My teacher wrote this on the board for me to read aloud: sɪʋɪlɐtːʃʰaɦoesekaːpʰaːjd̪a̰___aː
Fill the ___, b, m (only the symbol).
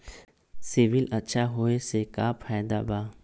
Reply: b